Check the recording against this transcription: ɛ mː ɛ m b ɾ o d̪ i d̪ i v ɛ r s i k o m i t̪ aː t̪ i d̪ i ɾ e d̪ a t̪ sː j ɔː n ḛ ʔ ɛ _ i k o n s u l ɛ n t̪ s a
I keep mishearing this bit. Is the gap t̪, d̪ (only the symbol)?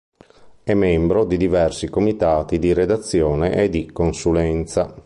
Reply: d̪